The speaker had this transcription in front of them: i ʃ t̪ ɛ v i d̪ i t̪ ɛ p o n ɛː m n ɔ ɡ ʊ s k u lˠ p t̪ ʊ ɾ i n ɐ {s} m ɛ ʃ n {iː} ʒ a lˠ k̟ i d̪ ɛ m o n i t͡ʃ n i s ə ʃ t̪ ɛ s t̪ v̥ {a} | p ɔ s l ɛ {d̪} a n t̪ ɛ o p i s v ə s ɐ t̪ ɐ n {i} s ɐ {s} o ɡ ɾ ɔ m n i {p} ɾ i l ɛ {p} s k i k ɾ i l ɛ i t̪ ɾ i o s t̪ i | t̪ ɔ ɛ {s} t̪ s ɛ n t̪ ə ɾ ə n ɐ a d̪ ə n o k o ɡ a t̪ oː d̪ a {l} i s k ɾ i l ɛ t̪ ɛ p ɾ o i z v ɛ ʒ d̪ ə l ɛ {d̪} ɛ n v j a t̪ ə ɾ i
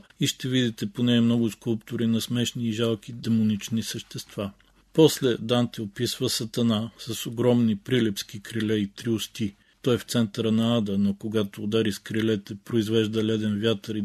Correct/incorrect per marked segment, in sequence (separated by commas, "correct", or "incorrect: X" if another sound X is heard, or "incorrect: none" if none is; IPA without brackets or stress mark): correct, correct, correct, correct, incorrect: a, correct, correct, correct, incorrect: f, incorrect: ɾ, correct